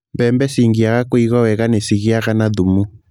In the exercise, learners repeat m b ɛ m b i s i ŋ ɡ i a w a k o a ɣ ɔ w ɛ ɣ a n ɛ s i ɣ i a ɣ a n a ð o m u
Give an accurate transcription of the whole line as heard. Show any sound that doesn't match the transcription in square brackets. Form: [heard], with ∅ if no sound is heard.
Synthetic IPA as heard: m b ɛ m b [ɛ] s i ŋ ɡ i a [ɣ] a k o [i] ɣ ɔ w ɛ ɣ a n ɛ s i ɣ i a ɣ a n a ð [u] m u